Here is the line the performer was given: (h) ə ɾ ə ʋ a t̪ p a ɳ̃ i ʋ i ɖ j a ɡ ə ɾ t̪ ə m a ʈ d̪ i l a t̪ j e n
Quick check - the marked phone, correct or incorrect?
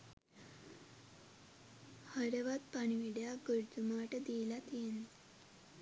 correct